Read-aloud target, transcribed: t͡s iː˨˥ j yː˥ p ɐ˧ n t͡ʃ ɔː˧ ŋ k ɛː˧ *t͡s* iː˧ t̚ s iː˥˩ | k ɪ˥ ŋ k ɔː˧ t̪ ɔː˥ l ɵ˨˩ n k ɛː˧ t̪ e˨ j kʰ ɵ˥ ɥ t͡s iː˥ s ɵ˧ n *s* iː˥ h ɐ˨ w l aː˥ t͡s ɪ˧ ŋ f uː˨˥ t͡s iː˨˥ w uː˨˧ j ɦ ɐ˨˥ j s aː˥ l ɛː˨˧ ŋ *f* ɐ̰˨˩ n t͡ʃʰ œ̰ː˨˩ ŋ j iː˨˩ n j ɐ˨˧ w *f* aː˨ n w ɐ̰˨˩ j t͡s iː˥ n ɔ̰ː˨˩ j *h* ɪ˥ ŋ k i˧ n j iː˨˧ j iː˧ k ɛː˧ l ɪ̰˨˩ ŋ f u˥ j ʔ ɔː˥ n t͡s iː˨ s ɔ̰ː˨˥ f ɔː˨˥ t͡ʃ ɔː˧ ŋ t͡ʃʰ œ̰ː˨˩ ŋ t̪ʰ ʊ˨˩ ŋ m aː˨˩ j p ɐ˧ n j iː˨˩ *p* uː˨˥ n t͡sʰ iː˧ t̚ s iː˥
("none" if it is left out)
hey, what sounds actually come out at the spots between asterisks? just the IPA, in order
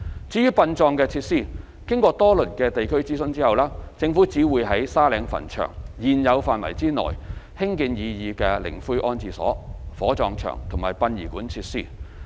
t͡sʰ, t͡s, f, f, h, k

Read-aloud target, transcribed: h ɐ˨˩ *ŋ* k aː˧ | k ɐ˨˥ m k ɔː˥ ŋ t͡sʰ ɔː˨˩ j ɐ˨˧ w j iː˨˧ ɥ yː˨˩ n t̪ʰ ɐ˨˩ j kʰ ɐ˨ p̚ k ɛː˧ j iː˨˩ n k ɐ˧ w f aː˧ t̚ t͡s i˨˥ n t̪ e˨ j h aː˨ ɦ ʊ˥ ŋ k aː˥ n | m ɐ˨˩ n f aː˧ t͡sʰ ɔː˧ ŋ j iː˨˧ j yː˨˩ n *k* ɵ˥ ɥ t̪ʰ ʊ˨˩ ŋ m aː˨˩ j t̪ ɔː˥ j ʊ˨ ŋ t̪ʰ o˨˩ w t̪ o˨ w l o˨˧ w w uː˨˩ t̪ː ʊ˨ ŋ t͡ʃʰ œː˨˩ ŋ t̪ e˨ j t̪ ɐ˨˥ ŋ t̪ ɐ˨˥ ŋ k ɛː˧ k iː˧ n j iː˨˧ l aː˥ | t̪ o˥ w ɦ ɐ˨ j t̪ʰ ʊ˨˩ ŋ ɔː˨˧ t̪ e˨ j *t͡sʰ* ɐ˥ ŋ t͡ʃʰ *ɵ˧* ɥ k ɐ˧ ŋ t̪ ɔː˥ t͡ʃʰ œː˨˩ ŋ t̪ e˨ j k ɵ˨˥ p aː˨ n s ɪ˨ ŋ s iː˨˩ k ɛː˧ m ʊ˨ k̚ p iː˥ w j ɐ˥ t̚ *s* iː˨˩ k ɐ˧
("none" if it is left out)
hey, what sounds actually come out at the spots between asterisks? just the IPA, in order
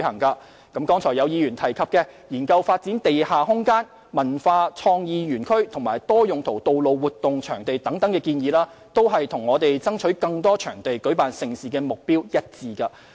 ŋ, kʰ, t͡s, ɵ˨˥, t͡s

